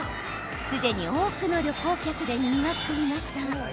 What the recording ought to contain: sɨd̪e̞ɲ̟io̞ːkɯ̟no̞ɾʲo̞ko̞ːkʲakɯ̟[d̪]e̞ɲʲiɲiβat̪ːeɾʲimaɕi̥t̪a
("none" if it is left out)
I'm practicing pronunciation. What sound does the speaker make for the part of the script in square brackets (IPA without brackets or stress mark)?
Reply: d̪